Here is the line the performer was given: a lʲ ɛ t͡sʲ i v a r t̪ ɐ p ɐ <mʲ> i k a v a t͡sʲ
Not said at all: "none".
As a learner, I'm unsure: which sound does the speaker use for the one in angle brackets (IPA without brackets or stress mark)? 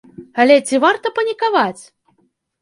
nʲ